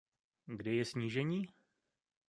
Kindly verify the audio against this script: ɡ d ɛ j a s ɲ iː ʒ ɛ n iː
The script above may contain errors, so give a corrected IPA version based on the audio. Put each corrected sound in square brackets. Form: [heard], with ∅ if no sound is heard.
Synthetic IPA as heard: ɡ d ɛ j [ɛ] s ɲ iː ʒ ɛ [ɲ] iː